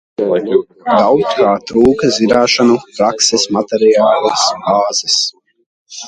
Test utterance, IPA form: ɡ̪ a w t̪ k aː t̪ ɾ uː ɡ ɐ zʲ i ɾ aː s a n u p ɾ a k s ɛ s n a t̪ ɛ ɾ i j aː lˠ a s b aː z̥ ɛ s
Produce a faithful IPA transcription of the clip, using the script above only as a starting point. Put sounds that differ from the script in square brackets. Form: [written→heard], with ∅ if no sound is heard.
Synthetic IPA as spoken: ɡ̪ a w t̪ k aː t̪ ɾ uː [ɡ→k] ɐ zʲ i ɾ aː [s→ʃ] a n u p ɾ a k s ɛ s [n→m] a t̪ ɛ ɾ i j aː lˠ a s b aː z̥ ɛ s